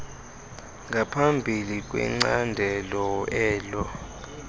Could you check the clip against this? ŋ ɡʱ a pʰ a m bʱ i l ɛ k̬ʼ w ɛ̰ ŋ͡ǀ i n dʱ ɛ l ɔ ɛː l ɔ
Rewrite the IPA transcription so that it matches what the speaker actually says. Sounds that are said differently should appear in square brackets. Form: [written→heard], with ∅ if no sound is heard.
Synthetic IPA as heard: ŋ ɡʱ a pʰ a m bʱ i l [ɛ→i] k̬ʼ w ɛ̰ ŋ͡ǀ [i→a] n dʱ ɛ l ɔ ɛː l ɔ